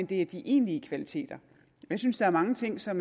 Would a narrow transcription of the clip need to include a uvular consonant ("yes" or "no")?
no